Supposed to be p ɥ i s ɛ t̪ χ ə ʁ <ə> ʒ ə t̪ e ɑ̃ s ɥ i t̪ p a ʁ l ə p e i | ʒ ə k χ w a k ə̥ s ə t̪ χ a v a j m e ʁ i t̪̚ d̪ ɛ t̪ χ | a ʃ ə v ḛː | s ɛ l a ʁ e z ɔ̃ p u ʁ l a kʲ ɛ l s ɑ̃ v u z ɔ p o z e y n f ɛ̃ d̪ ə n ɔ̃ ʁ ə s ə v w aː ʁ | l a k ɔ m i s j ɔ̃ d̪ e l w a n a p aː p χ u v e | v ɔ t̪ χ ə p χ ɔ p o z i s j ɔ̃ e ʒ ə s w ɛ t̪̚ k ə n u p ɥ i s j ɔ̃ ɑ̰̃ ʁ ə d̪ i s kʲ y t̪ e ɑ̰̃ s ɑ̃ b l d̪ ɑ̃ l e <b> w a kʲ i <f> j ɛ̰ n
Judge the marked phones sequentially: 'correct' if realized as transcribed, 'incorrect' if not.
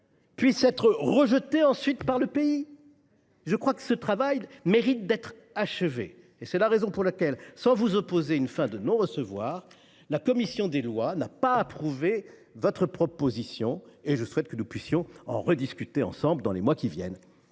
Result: correct, incorrect, incorrect

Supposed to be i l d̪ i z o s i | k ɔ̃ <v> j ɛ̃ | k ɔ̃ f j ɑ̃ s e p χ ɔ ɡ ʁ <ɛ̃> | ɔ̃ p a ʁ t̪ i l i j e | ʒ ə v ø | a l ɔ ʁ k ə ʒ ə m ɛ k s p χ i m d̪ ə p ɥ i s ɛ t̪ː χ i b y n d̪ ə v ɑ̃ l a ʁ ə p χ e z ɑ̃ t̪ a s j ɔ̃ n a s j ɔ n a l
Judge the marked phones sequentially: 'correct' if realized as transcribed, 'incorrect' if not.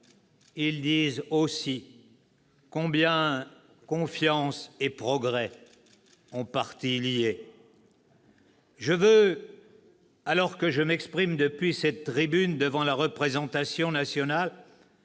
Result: incorrect, incorrect

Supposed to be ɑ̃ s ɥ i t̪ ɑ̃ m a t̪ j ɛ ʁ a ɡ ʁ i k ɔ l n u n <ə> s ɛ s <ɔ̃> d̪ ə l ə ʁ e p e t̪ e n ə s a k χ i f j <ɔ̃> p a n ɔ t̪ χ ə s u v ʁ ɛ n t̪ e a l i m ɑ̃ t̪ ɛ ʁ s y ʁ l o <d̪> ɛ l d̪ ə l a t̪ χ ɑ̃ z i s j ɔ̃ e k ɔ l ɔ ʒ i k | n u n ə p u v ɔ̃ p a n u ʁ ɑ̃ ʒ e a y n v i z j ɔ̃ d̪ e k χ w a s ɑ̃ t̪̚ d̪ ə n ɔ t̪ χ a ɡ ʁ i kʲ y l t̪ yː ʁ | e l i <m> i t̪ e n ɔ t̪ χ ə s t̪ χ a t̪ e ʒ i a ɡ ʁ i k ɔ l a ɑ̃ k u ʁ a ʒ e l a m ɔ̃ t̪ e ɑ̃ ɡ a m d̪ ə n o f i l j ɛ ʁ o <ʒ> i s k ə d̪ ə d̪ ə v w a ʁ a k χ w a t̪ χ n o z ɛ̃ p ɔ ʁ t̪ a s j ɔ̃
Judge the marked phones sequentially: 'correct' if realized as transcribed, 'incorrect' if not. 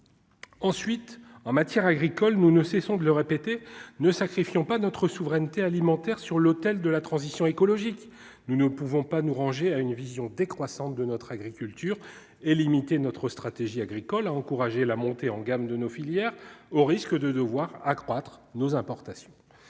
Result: correct, correct, correct, incorrect, correct, incorrect

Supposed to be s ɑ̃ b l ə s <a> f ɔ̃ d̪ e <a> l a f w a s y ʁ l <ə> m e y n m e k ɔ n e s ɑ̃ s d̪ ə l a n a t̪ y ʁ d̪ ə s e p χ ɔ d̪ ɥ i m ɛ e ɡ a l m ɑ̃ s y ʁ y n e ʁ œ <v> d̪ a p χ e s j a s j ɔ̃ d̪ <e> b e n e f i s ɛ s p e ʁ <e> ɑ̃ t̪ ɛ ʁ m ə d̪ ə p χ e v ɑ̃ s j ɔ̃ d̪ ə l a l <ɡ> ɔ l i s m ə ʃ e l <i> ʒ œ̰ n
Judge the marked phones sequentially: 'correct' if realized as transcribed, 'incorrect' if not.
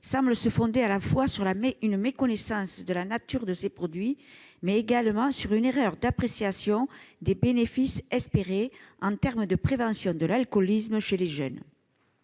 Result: incorrect, correct, incorrect, incorrect, correct, correct, incorrect, incorrect

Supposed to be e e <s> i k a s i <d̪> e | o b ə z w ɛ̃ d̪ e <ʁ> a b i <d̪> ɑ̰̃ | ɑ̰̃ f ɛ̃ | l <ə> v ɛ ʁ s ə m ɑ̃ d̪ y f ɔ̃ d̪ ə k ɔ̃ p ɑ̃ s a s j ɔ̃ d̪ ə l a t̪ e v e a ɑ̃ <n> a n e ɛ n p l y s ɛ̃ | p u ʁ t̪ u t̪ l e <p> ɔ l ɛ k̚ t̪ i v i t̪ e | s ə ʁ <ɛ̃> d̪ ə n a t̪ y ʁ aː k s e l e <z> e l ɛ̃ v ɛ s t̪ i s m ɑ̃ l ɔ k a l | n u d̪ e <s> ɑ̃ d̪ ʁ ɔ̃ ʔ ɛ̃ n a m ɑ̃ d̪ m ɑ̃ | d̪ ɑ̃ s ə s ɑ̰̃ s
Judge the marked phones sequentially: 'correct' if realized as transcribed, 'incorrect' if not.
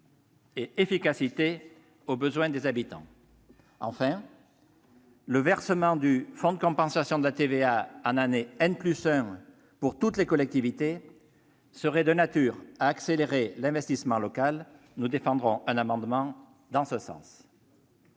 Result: incorrect, incorrect, incorrect, incorrect, correct, correct, incorrect, incorrect, incorrect, incorrect

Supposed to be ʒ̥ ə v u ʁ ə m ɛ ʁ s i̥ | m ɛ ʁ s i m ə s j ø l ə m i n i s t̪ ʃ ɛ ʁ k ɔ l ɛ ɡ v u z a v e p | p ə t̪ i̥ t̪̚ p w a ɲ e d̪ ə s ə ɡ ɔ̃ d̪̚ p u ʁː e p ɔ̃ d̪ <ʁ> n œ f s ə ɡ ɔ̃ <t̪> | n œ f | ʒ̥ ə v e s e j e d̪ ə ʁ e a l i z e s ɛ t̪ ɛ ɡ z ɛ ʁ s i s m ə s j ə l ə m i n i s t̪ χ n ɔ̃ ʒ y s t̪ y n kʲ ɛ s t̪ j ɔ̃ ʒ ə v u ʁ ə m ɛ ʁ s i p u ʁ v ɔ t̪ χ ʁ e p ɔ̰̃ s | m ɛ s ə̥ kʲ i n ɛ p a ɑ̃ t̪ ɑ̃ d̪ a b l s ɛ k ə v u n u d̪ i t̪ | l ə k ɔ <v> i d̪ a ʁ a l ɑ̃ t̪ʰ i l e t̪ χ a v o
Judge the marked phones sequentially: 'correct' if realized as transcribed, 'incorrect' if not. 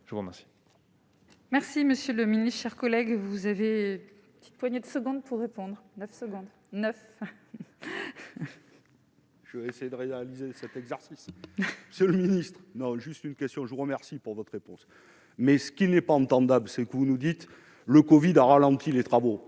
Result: correct, incorrect, correct

